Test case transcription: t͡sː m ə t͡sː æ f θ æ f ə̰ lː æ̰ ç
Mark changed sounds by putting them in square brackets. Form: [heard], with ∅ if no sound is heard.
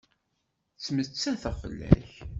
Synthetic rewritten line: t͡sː m ə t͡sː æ [∅] θ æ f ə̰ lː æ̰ ç